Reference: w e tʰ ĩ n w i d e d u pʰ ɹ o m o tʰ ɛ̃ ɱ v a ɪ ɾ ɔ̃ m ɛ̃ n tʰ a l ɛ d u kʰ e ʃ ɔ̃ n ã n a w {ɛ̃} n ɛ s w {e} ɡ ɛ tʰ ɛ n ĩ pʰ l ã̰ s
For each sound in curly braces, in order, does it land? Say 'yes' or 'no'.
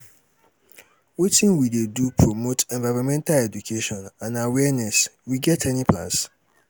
no, no

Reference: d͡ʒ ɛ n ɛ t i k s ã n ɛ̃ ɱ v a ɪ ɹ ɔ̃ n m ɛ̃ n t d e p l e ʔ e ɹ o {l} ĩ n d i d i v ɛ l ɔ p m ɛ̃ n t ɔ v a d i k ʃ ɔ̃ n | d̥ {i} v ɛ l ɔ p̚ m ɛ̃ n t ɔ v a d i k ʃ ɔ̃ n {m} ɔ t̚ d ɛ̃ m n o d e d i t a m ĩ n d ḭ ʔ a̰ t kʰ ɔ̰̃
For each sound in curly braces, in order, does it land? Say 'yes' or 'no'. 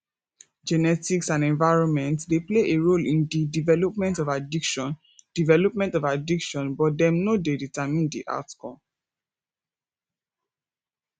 yes, yes, no

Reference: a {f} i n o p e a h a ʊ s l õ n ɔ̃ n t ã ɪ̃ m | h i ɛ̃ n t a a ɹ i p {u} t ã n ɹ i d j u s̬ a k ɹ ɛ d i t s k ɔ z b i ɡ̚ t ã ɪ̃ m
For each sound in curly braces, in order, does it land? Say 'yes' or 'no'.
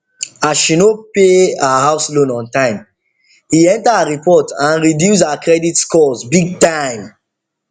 no, no

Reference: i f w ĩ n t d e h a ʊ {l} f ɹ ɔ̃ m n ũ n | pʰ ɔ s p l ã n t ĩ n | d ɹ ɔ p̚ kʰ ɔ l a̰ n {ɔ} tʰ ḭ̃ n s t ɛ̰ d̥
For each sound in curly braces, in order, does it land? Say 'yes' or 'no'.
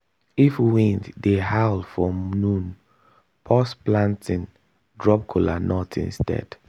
yes, yes

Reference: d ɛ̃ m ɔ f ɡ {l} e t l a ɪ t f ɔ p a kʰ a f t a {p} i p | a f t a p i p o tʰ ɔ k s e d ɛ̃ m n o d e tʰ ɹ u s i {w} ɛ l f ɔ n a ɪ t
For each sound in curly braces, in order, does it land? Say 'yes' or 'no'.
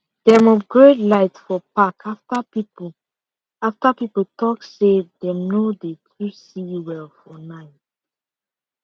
no, yes, yes

